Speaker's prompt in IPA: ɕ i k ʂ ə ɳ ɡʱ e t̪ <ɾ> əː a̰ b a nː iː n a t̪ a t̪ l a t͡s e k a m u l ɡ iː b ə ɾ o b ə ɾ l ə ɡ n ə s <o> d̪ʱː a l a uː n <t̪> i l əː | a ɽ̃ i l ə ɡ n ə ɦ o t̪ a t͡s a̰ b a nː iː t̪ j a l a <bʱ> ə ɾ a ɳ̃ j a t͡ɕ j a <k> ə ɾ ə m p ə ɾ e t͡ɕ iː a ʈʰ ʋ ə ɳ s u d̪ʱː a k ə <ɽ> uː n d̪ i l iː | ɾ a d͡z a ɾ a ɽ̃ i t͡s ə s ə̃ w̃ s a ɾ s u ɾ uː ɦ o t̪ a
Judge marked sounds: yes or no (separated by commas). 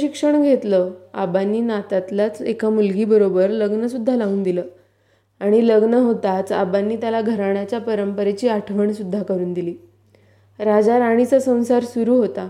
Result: no, no, no, no, no, no